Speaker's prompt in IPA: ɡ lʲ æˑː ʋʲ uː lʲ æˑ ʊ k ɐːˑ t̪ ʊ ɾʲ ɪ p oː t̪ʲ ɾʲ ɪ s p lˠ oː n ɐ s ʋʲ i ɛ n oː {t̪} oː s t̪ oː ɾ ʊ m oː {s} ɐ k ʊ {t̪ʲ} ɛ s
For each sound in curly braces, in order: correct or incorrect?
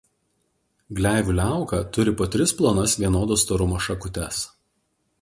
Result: incorrect: d̪, incorrect: ʃ, correct

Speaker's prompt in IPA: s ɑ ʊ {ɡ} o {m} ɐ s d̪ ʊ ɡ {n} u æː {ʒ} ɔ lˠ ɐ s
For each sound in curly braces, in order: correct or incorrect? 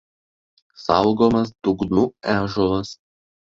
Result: correct, correct, correct, correct

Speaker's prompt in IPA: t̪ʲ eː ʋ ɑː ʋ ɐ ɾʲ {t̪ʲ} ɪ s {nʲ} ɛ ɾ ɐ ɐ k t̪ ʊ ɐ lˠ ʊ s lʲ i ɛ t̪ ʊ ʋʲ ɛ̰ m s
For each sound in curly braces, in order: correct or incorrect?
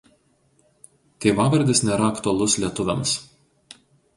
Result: incorrect: d̪ʲ, correct

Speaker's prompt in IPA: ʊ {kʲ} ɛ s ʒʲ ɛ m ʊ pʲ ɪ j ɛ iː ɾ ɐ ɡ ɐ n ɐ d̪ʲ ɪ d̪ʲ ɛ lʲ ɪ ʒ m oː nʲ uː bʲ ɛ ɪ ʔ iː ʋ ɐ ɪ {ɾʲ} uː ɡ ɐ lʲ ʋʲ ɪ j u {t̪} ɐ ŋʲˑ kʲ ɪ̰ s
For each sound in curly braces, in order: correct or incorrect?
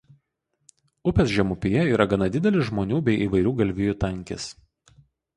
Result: incorrect: pʲ, correct, correct

